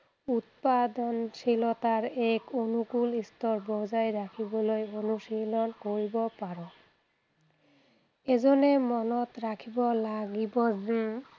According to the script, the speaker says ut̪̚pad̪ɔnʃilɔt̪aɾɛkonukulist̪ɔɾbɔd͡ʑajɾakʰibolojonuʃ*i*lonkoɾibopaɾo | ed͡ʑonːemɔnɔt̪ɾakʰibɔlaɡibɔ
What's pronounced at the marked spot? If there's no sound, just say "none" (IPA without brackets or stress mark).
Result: i